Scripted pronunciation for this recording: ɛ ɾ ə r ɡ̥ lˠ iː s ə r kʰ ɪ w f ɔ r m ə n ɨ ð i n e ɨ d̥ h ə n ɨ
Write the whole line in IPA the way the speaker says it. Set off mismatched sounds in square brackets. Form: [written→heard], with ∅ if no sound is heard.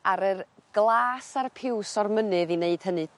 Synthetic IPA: [ɛ→a] ɾ ə r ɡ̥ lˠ [iː→aː] s [ə→a] r [kʰ→pʰ] ɪ w [f→s] ɔ r m ə n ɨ ð i n e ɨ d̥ h ə n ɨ